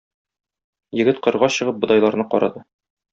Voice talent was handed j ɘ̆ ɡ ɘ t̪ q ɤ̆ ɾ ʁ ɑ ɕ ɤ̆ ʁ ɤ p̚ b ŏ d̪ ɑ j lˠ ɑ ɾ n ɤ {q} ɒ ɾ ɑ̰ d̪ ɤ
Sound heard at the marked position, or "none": q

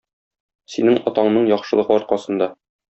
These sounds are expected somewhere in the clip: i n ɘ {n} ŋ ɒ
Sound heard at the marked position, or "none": none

